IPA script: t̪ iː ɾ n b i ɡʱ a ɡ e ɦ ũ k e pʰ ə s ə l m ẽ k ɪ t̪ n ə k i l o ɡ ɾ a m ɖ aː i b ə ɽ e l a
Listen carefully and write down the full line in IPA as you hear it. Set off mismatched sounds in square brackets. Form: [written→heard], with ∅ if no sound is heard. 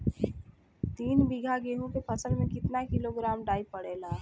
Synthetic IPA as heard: t̪ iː [ɾ→∅] n b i ɡʱ a ɡ e ɦ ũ k e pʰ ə s ə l m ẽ k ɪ t̪ n [ə→a] k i l o ɡ ɾ a m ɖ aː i [b→p] ə ɽ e l a